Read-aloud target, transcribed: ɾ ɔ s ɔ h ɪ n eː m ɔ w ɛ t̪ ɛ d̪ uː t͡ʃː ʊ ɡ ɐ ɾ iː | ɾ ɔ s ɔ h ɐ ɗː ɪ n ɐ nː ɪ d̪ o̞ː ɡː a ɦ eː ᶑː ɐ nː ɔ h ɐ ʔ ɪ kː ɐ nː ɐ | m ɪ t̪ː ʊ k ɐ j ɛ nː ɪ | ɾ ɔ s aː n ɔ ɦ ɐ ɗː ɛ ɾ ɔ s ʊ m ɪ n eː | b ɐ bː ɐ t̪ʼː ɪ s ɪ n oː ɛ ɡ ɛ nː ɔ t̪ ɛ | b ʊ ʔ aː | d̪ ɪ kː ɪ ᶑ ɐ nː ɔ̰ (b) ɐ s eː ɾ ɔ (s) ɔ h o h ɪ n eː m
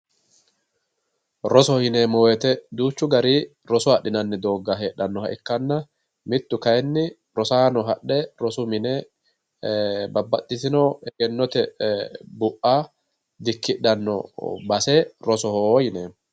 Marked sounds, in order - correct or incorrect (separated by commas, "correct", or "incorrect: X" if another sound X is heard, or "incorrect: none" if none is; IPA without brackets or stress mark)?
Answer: correct, correct